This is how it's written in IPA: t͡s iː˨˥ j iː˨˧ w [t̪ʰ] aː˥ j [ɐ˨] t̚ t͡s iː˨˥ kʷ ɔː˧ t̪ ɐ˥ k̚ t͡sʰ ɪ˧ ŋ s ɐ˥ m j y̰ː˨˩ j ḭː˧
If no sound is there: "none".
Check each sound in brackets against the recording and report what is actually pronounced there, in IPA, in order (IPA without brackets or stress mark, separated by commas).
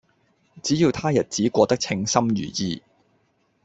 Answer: t̪ʰ, ɐ˨